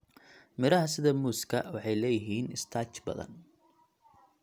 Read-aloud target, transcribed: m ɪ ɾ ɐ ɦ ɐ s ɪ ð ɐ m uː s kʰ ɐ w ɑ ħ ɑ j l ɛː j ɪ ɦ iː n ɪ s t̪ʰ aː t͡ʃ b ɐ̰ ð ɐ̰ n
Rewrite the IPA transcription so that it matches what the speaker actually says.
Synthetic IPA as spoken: m ɪ ɾ ɐ ɦ ɐ s ɪ ð ɐ m uː s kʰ ɐ w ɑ ħ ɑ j l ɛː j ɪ ɦ iː n ɪ s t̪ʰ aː t͡ʃ b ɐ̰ ð ɐ̰ n

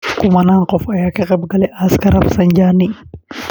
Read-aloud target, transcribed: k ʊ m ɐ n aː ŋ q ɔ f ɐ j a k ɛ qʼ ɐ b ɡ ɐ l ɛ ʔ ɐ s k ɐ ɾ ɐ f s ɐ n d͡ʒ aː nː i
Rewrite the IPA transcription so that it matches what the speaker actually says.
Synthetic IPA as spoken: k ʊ m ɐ n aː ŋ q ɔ f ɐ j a k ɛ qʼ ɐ b ɡ ɐ l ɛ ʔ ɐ s k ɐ ɾ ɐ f s ɐ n d͡ʒ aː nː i

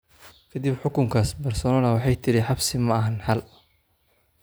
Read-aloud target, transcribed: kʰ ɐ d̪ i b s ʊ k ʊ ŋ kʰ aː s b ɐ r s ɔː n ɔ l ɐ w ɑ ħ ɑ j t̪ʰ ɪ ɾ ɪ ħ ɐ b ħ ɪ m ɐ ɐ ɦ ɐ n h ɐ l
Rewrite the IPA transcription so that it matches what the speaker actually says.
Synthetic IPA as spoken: kʰ ɐ d̪ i b ħ ʊ k ʊ ŋ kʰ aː s b ɐ r s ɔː n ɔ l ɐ w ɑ ħ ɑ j t̪ʰ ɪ ɾ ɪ ħ ɑ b s ɪ m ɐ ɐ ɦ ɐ n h ɐ l

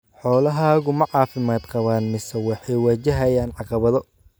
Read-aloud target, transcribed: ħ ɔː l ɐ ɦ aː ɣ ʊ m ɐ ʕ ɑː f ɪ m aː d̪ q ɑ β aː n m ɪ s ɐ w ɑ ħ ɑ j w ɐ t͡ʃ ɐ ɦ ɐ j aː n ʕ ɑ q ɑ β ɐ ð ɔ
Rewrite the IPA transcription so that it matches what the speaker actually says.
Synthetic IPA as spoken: ħ ɔː l ɐ ɦ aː ɣ ʊ m ɐ ʕ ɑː f ɪ m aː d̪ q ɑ β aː n m ɪ s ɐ w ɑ ħ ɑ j w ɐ t͡ʃ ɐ ɦ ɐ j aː n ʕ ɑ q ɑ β ɐ ð ɔ

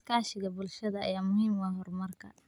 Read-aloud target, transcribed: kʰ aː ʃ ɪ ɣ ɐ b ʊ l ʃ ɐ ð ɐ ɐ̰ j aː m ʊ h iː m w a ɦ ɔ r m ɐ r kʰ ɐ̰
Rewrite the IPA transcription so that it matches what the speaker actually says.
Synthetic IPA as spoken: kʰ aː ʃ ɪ ɣ ɐ b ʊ l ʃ ɐ ð ɐ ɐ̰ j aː m ʊ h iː m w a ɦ ɔ r m ɐ r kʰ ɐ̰

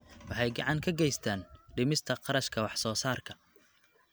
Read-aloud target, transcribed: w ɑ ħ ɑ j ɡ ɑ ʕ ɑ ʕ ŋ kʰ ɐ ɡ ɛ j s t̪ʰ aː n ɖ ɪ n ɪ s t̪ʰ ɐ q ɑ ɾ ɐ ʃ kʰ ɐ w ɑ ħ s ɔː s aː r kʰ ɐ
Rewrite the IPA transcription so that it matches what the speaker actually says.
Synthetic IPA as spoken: w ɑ ħ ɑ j ɡ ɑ ʕ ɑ ŋ kʰ ɐ ɡ ɛ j s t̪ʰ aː n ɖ ɪ m ɪ s t̪ʰ ɐ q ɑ ɾ ɐ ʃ kʰ ɐ w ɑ ħ s ɔː s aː r kʰ ɐ

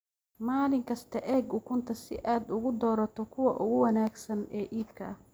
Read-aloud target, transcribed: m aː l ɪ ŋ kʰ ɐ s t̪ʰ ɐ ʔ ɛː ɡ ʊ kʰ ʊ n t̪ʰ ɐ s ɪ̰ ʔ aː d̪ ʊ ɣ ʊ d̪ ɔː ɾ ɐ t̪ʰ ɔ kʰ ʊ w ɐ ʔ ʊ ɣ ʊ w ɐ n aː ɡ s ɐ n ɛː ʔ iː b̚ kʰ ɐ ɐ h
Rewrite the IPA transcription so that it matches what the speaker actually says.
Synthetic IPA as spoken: m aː l ɪ ŋ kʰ ɐ s t̪ʰ ɐ ʔ ɛː ɡ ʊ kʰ ʊ n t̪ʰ ɐ s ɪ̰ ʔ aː d̪ ʊ ɣ ʊ d̪ ɔː ɾ ɐ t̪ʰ ɔ kʰ ʊ w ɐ ʔ ʊ ɣ ʊ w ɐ n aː ɡ s ɐ n ɛː ʔ iː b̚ kʰ ɐ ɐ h

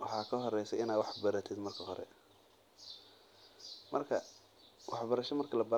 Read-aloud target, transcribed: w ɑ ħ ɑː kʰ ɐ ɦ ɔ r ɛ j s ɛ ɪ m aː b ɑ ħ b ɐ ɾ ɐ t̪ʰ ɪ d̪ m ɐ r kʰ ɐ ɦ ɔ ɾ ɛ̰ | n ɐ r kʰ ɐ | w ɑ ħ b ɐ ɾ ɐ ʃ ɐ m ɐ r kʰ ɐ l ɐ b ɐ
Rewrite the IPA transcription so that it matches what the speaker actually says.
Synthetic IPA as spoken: w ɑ ħ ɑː kʰ ɐ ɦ ɔ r ɛ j s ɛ ɪ n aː w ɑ ħ b ɐ ɾ ɐ t̪ʰ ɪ d̪ m ɐ r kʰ ɐ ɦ ɔ ɾ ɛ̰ | m ɐ r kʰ ɐ | w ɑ ħ b ɐ ɾ ɐ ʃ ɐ m ɐ r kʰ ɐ l ɐ b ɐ

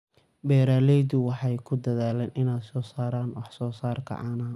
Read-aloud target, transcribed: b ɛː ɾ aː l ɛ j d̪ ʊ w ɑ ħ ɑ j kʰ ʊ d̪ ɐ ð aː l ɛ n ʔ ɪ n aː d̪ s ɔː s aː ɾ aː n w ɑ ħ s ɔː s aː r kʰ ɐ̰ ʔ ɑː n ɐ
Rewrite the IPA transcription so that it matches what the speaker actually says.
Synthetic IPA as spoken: b ɛː ɾ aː l ɛ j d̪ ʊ w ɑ ħ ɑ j kʰ ʊ d̪ ɐ ð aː l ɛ n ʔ ɪ n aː d̪ s ɔː s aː ɾ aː n w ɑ ħ s ɔː s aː r kʰ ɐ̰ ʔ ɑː n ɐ

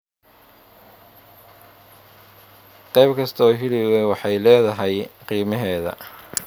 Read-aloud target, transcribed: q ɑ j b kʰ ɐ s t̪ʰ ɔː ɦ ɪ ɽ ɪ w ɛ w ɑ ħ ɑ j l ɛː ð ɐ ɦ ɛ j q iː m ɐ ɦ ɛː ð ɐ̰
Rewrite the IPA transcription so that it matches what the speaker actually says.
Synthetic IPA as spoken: q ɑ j b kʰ ɐ s t̪ʰ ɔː ɦ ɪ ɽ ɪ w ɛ w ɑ ħ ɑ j l ɛː ð ɐ ɦ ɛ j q iː m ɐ ɦ ɛː ð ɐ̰

